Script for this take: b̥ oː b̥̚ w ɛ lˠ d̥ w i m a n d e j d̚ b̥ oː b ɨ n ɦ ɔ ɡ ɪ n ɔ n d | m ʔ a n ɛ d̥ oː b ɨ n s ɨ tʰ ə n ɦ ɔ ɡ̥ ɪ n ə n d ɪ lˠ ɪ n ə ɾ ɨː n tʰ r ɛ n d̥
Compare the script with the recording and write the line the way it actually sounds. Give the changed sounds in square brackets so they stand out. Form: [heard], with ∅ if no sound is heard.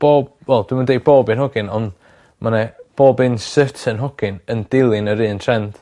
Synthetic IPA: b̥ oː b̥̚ w ɛ lˠ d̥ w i m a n d e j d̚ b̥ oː b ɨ n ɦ ɔ ɡ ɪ n ɔ n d | m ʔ a n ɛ [b̥] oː b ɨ n s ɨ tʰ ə n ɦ ɔ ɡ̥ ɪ n ə n d ɪ lˠ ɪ n ə ɾ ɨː n tʰ r ɛ n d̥